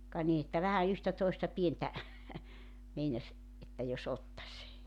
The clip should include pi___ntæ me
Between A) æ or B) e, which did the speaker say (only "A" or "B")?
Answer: B